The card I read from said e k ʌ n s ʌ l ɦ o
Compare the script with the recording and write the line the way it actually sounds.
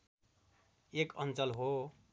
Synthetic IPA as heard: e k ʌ n t͡s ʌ l ɦ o